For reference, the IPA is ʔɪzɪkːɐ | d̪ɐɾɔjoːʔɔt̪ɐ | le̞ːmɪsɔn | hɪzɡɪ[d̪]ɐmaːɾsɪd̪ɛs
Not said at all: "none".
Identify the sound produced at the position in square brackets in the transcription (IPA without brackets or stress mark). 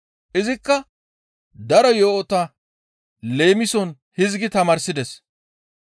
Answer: t̪